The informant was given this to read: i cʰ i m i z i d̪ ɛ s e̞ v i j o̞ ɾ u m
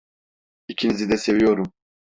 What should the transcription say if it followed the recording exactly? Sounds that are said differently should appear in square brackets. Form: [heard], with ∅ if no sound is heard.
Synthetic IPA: i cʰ i [n] i z i d̪ ɛ s e̞ v i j o̞ ɾ u m